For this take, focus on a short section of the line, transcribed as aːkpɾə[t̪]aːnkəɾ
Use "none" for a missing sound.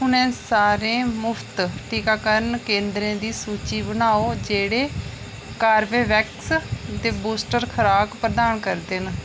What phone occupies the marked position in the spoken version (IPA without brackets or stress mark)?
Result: d̪